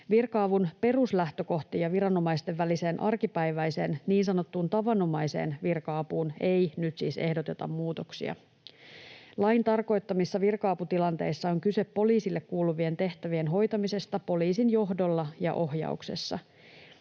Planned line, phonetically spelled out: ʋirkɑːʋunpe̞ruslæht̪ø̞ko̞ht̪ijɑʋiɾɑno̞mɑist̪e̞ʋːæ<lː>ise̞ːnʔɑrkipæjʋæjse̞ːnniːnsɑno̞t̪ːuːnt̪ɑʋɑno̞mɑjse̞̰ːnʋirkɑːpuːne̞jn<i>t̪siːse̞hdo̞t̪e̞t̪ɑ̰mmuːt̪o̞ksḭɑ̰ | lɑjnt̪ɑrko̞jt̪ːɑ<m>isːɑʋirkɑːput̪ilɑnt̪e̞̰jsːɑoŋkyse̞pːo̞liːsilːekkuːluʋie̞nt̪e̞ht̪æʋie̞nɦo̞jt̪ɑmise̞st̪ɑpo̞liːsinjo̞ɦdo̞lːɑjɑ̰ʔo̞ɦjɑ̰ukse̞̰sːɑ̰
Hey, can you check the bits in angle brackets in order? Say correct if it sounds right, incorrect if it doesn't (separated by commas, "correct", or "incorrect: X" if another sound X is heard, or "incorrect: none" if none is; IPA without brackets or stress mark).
incorrect: l, incorrect: y, correct